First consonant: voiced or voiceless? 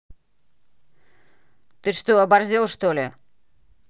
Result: voiceless